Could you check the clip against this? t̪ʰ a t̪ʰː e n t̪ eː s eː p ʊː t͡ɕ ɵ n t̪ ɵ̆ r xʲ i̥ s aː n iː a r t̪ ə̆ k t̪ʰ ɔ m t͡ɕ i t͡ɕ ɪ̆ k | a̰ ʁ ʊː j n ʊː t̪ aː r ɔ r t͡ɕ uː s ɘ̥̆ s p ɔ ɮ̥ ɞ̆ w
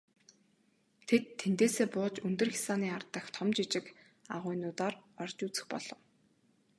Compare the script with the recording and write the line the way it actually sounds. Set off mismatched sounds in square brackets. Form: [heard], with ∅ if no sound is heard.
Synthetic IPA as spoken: t̪ʰ [e] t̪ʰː e n t̪ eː s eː p ʊː t͡ɕ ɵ n t̪ ɵ̆ r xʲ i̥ s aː n iː a r t̪ ə̆ [x] t̪ʰ ɔ m t͡ɕ i t͡ɕ ɪ̆ k | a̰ ʁ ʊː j n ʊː t̪ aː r ɔ r t͡ɕ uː [t͡s] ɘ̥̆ [x] p ɔ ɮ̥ ɞ̆ w